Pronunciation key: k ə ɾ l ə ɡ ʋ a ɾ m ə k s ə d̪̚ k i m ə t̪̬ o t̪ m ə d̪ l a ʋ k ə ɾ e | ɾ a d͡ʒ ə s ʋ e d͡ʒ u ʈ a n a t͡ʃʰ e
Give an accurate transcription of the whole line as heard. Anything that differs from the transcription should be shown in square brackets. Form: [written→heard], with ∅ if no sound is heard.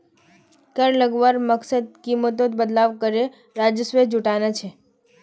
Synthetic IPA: k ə ɾ l ə ɡ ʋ a ɾ m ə k s ə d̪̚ k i m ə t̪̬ o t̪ [m→b] ə d̪ l a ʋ k ə ɾ e | ɾ a d͡ʒ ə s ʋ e d͡ʒ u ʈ a n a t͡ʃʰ e